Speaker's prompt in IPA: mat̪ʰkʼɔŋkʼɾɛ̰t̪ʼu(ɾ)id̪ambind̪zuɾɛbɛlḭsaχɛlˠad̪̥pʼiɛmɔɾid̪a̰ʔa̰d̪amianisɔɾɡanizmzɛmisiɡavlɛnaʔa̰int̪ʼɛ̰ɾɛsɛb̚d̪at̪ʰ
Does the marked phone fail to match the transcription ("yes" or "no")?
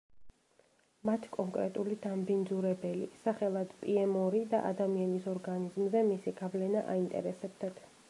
yes